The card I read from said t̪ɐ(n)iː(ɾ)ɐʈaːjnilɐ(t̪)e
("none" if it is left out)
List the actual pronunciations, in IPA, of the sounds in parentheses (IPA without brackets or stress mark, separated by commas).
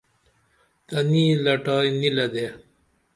n, l, d̪